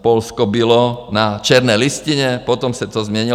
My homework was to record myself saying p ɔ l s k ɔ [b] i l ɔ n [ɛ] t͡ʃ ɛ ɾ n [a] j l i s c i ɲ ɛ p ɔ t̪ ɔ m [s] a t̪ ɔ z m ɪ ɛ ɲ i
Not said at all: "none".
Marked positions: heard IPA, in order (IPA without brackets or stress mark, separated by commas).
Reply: b, a, ɛ, s